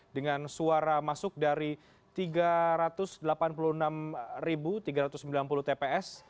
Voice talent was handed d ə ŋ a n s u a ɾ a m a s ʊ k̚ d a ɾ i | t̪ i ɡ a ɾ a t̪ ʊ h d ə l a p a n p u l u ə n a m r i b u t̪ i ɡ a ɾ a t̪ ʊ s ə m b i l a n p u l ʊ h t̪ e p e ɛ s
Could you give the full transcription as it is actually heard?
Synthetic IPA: d ə ŋ a n s u a ɾ a m a s ʊ k̚ d a ɾ i | t̪ i ɡ a ɾ a t̪ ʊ s d ə l a p a n p u l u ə n a m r i b u t̪ i ɡ a ɾ a t̪ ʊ s ə m b i l a n p u l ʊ h t̪ e p e ɛ s